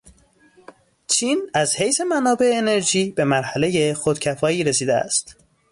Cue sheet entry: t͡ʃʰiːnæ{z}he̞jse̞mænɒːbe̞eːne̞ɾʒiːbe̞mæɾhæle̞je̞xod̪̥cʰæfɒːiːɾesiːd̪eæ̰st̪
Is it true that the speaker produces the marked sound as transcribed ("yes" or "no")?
yes